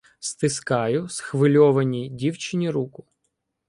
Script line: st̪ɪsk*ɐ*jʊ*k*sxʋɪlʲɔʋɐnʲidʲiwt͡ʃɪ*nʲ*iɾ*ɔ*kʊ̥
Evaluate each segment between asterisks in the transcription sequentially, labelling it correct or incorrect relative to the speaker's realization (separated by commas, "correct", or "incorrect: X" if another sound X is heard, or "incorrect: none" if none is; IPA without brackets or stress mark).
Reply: incorrect: ɑ, incorrect: none, correct, incorrect: u